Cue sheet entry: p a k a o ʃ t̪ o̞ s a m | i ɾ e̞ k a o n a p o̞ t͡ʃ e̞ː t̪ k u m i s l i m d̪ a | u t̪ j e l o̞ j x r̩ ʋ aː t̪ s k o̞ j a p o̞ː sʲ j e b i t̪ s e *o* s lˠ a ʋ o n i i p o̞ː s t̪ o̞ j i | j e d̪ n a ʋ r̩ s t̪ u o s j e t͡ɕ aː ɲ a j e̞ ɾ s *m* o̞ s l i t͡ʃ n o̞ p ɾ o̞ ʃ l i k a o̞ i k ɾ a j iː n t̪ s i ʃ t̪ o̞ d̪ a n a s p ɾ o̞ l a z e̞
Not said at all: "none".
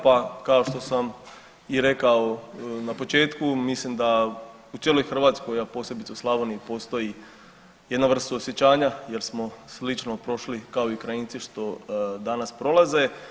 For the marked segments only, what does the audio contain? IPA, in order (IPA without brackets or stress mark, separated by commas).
u, m